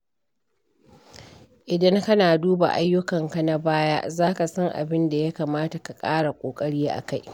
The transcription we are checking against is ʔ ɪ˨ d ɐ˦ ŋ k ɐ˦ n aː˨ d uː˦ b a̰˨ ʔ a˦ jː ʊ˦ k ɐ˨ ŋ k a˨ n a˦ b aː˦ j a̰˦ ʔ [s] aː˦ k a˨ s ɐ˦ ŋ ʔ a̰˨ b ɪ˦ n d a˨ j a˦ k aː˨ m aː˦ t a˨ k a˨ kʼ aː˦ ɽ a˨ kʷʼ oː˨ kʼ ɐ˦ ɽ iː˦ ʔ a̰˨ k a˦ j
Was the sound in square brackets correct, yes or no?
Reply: no